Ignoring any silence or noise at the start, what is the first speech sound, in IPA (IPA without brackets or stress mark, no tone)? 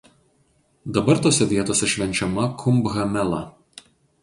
d̪